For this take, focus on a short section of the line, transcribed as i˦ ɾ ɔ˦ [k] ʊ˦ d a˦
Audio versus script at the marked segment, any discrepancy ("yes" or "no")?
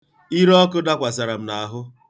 no